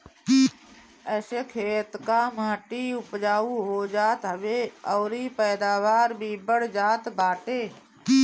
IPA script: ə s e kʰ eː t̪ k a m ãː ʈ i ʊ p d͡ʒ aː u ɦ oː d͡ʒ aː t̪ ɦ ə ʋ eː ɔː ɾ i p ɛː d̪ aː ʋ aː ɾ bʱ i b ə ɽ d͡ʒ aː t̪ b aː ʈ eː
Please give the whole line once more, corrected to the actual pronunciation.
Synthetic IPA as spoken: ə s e kʰ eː t̪ k a m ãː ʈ i ʊ p d͡ʒ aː u ɦ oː d͡ʒ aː t̪ ɦ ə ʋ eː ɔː ɾ i p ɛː d̪ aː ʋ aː ɾ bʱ i b ə ɽ d͡ʒ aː t̪ b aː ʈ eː